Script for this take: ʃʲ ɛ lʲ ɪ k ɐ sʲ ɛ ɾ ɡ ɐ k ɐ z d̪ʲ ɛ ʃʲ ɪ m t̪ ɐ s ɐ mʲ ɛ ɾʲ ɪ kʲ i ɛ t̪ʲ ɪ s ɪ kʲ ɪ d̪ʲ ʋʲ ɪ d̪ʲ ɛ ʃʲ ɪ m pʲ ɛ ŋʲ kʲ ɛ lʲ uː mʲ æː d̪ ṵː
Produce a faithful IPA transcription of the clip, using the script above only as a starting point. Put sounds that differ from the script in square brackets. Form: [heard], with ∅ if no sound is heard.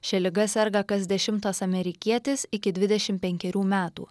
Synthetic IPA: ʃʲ ɛ lʲ ɪ [ɡ] ɐ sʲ ɛ ɾ ɡ ɐ k ɐ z d̪ʲ ɛ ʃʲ ɪ m t̪ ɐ s ɐ mʲ ɛ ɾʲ ɪ kʲ i ɛ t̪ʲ ɪ s ɪ kʲ ɪ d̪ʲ ʋʲ ɪ d̪ʲ ɛ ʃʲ ɪ m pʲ ɛ ŋʲ kʲ ɛ [ɾʲ] uː mʲ æː [t̪] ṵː